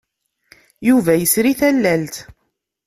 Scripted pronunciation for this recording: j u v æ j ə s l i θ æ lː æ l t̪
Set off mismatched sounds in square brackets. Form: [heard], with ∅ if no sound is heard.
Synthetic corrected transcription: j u v æ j ə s [ɾ] i θ æ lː æ l t̪